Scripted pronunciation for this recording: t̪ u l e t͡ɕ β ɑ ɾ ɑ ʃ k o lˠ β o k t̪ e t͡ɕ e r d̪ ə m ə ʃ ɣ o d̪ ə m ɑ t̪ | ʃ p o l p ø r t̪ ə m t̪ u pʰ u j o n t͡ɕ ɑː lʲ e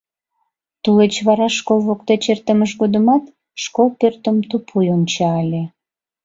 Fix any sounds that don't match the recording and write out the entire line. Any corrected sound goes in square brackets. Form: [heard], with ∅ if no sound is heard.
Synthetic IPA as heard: t̪ u l e t͡ɕ β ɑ ɾ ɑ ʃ k o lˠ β o k t̪ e t͡ɕ e r [t̪] ə m ə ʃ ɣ o d̪ ə m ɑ t̪ | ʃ [k] o l p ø r t̪ ə m t̪ u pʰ u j o n t͡ɕ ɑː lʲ e